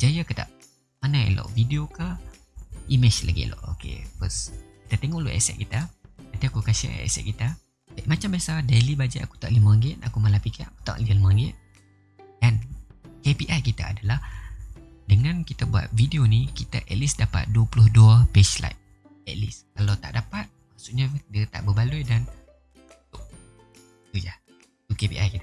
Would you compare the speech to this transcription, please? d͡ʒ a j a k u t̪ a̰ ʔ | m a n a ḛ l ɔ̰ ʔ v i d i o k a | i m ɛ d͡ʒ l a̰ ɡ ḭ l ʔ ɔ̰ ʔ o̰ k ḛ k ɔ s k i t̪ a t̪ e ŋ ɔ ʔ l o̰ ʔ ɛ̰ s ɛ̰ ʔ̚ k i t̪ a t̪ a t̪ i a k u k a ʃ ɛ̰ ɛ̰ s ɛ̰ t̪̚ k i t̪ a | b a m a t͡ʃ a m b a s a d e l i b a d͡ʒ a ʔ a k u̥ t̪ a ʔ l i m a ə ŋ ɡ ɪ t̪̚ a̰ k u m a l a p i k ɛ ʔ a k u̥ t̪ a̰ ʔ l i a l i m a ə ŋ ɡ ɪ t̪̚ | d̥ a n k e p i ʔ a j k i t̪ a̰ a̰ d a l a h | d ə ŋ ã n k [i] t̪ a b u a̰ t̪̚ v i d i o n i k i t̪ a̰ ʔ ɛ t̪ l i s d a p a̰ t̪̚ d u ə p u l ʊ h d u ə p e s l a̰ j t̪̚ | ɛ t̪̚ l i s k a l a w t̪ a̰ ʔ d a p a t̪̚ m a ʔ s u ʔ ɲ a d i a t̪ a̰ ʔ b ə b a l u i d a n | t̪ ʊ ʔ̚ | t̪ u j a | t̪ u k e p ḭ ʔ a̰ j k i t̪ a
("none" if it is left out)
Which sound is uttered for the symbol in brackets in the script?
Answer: i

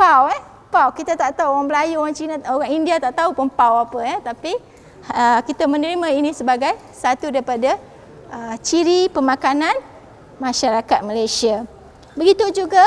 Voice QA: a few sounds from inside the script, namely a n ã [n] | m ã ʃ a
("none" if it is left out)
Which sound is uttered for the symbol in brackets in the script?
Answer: n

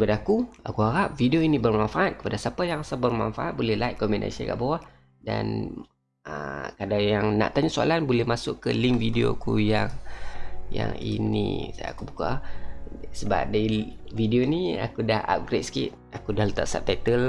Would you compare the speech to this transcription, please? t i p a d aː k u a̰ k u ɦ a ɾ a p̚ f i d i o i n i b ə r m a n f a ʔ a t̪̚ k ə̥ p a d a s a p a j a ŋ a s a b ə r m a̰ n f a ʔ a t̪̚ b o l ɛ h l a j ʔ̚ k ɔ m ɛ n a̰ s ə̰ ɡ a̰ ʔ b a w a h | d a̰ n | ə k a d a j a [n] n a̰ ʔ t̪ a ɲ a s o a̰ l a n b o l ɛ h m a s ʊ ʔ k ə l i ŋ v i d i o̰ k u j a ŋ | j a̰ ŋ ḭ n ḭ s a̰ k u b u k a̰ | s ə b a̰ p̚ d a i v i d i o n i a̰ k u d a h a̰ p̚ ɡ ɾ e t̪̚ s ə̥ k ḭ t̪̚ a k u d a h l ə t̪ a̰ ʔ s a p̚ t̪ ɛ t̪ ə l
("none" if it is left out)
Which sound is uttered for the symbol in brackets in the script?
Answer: ŋ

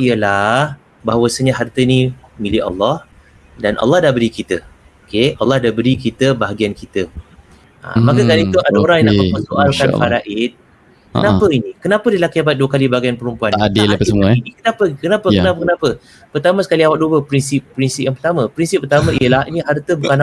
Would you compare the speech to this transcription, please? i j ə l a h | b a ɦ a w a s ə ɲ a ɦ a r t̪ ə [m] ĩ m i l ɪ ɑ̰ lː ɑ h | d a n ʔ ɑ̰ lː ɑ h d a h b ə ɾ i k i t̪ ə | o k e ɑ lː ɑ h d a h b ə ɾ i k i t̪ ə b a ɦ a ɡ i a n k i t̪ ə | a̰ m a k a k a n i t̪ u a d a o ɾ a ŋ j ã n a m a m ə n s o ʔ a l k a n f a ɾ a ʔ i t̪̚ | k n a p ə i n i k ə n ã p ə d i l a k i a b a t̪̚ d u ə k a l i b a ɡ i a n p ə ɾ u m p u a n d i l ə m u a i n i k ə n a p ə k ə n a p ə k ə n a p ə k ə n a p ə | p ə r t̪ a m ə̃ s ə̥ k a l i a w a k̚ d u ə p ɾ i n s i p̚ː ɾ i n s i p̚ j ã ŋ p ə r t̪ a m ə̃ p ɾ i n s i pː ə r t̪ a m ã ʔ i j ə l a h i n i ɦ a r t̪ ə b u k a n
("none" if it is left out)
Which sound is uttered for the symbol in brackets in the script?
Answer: n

